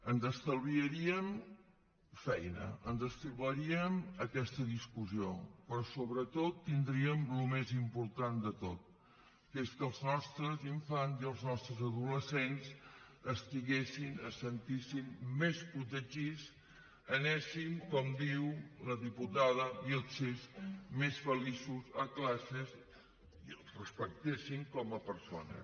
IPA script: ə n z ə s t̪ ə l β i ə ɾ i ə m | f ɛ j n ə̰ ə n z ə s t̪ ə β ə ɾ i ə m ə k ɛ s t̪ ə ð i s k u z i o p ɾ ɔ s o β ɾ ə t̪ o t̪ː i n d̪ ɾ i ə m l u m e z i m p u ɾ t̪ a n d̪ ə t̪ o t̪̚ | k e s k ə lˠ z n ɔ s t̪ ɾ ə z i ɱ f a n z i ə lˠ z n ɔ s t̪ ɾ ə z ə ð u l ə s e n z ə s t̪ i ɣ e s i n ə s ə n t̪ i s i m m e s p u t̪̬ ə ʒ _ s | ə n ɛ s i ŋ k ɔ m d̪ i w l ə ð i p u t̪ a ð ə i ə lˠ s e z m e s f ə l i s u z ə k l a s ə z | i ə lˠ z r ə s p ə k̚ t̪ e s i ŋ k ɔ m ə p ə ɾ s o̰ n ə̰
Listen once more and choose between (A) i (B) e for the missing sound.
A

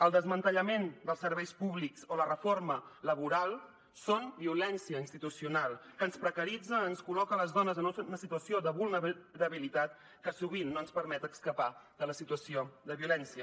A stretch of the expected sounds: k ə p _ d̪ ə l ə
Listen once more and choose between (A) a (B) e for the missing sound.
A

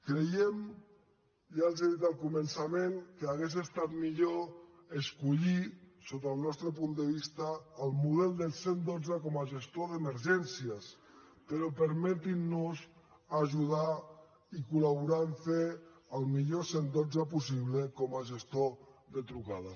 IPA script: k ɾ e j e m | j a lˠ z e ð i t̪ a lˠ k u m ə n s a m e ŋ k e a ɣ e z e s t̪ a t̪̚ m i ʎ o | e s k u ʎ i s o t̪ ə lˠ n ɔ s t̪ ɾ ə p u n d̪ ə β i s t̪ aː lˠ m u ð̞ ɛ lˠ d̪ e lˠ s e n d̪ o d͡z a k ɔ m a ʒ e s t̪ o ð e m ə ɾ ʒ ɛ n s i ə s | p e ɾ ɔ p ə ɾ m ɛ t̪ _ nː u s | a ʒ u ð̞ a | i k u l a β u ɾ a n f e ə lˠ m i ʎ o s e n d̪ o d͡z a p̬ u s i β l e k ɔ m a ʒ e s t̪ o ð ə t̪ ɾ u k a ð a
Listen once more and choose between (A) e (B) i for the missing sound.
B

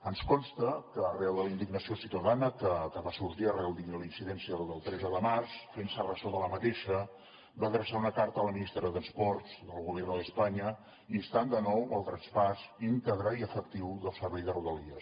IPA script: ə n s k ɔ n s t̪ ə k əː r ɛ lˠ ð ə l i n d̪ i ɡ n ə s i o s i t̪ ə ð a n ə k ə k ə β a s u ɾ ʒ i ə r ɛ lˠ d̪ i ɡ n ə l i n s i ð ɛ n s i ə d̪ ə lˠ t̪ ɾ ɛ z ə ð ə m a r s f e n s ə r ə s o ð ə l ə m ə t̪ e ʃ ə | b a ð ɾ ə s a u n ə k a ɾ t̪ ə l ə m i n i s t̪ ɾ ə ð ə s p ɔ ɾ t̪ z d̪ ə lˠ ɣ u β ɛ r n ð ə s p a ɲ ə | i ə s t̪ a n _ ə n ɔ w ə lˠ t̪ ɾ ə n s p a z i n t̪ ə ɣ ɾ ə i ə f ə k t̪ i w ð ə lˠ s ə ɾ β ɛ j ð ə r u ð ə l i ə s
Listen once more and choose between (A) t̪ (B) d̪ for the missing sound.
B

